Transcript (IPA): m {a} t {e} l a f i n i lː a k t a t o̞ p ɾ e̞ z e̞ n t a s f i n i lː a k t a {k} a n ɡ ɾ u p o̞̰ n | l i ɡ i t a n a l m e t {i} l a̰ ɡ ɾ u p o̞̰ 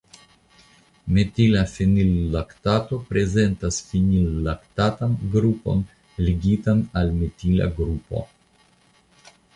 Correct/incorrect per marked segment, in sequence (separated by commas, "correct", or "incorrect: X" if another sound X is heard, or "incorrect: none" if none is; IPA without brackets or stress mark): incorrect: e, incorrect: i, incorrect: t, correct